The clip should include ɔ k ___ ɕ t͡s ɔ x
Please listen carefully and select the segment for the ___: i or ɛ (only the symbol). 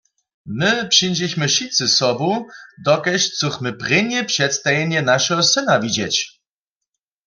ɛ